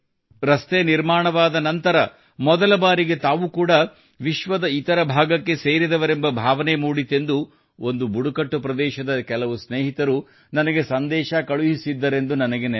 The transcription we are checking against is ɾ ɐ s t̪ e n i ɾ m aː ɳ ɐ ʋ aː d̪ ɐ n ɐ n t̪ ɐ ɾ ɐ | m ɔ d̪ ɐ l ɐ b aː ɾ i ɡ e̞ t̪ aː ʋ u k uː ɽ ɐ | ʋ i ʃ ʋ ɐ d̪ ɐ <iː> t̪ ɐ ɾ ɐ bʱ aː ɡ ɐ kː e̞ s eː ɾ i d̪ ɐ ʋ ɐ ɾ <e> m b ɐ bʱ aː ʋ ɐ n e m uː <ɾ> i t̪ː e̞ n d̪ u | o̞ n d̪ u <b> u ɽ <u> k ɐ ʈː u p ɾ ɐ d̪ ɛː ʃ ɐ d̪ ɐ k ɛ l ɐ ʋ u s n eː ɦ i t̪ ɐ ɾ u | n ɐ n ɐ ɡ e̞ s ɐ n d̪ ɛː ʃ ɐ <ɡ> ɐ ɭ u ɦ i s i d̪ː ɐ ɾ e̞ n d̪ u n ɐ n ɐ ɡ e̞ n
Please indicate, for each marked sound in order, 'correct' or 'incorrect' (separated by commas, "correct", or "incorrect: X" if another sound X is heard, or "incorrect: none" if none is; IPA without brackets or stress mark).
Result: incorrect: i, correct, incorrect: ɽ, correct, correct, incorrect: k